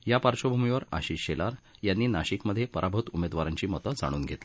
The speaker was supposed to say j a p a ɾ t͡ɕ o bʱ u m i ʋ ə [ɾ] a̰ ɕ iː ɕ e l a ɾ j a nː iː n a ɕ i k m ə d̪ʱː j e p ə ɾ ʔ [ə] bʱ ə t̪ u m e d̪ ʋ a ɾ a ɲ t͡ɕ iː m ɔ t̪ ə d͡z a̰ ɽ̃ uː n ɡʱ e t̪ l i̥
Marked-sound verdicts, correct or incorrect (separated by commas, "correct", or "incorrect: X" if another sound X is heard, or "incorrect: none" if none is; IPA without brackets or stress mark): correct, incorrect: a